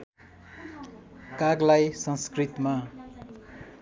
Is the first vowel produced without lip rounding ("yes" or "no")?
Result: yes